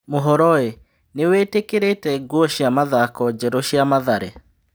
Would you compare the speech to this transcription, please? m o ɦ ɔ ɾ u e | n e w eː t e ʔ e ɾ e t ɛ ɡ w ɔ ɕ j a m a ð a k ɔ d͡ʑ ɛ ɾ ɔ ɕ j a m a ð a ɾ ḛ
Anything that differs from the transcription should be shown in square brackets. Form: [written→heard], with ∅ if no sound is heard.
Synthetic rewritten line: m o ɦ ɔ ɾ [u→ɔ] e | n e w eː t e [ʔ→k] e ɾ e t ɛ ɡ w ɔ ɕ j a m a ð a k ɔ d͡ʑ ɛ ɾ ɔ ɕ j a m a ð a ɾ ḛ